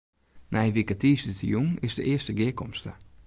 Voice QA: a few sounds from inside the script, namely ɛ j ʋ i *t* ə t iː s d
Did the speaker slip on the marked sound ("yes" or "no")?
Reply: yes